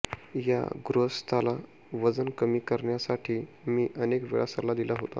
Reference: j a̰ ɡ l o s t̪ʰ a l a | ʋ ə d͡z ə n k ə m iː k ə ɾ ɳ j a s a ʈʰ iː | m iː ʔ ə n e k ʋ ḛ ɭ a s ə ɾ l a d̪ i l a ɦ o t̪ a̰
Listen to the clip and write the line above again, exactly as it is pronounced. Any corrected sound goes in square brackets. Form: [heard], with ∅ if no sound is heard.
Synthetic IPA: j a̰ ɡ [ɾ] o s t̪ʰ a l a | ʋ ə d͡z ə n k ə m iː k ə ɾ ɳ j a s a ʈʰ iː | m iː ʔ ə n e k ʋ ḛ ɭ a s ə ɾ l a d̪ i l a ɦ o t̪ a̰

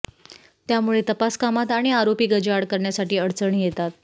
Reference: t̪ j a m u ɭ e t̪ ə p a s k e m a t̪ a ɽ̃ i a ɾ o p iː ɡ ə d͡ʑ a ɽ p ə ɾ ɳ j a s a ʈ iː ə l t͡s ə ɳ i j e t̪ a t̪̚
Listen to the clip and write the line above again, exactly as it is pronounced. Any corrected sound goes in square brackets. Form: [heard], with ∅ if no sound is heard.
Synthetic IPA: t̪ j a m u ɭ e t̪ ə p a s k [a] m a t̪ a ɽ̃ i a ɾ o p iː ɡ ə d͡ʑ a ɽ [k] ə ɾ ɳ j a s a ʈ iː ə [ɽ] t͡s ə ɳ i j e t̪ a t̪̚

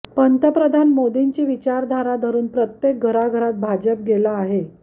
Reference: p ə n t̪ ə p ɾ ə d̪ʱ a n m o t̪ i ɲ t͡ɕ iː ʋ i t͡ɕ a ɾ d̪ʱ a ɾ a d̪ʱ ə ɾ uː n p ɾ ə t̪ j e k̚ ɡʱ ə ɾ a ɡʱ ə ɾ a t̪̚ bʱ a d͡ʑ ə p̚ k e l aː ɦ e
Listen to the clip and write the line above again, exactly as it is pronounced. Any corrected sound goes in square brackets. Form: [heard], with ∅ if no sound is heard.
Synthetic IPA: p ə n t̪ ə p ɾ ə d̪ʱ a n m o [d̪] i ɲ t͡ɕ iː ʋ i t͡ɕ a ɾ d̪ʱ a ɾ a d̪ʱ ə ɾ uː n p ɾ ə t̪ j e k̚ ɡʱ ə ɾ a ɡʱ ə ɾ a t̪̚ bʱ a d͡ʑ ə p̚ [ɡ] e l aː ɦ e

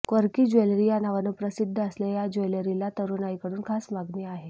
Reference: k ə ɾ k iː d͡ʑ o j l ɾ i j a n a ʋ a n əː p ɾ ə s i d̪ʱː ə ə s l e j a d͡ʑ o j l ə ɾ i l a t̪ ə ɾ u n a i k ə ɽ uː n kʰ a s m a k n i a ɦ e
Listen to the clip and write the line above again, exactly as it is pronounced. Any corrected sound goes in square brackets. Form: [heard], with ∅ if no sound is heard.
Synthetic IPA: k ə ɾ k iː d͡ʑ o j l ɾ i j a n a ʋ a n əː p ɾ ə s i d̪ʱː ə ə s l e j a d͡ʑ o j l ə ɾ i l a t̪ ə ɾ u n a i k ə ɽ uː n kʰ a s m a [ɡ] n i a ɦ e

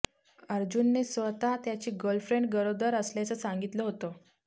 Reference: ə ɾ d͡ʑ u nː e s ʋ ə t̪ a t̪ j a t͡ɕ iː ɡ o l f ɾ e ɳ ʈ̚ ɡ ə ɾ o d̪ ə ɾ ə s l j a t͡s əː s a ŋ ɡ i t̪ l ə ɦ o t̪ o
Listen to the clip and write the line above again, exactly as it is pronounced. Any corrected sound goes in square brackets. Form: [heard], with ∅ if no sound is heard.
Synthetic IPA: ə ɾ d͡ʑ u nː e s ʋ ə t̪ a t̪ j a t͡ɕ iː ɡ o l f ɾ e ɳ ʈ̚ ɡ ə ɾ o d̪ ə ɾ ə s l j a t͡s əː s a ŋ ɡ i t̪ l ə ɦ o t̪ o

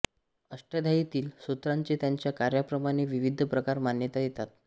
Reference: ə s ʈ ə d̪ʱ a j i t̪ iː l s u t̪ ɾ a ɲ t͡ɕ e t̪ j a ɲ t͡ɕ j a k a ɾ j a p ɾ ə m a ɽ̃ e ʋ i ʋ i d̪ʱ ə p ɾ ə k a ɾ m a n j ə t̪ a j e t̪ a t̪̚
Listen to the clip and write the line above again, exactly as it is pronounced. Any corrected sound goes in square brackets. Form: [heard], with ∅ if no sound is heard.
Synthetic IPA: ə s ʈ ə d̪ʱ a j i t̪ iː l s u t̪ ɾ a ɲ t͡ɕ e t̪ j a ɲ t͡ɕ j a k a ɾ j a p ɾ ə m a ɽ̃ e ʋ i ʋ i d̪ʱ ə p ɾ ə k a ɾ m a n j ə t̪ a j e t̪ a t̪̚

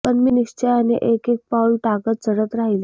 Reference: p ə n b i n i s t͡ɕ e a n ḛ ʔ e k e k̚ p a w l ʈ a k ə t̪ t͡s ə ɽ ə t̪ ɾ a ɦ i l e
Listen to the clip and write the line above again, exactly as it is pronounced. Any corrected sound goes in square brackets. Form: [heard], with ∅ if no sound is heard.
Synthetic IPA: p ə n [m] i n i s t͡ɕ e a n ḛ ʔ e k e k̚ p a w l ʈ a k ə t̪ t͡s ə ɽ ə t̪ ɾ a ɦ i l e

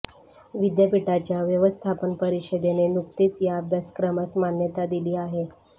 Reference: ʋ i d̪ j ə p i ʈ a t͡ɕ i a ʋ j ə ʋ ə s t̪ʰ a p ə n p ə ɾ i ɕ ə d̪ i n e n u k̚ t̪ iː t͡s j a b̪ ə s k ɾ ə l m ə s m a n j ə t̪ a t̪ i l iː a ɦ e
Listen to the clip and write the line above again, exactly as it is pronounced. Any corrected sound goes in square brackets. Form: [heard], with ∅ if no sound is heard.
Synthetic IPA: ʋ i d̪ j ə p i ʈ a t͡ɕ [j] a ʋ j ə ʋ ə s t̪ʰ a p ə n p ə ɾ i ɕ ə d̪ [e] n e n u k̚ t̪ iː t͡s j a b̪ ə s k ɾ ə [∅] m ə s m a n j ə t̪ a [d̪] i l iː a ɦ e

